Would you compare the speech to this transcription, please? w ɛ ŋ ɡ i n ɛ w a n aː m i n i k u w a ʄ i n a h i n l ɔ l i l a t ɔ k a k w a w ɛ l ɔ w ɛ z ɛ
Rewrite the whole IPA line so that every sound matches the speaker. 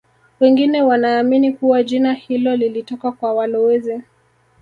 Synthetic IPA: w ɛ ŋ ɡ i n ɛ w a n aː m i n i k u w a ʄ i n a h i l ɔ l i l i t ɔ k a k w a w a l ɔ w ɛ z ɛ